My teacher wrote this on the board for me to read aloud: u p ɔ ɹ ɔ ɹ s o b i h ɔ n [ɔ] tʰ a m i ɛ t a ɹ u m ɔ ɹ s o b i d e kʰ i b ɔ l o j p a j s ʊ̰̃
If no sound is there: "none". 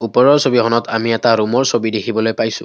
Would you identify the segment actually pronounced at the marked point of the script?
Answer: ɔ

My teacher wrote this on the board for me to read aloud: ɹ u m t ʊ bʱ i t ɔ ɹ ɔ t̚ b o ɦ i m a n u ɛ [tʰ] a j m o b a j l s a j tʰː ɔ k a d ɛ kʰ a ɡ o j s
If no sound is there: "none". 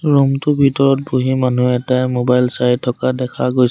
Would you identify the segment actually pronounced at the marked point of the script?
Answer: t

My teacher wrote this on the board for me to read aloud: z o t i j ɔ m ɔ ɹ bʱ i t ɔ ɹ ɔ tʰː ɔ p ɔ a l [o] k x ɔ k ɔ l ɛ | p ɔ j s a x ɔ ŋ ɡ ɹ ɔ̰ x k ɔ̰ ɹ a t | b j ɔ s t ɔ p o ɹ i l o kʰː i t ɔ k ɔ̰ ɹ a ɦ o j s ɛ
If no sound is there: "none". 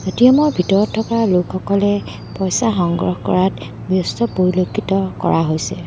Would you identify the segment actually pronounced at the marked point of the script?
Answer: o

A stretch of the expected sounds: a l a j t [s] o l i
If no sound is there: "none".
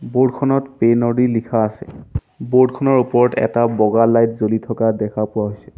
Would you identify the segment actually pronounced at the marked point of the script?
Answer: z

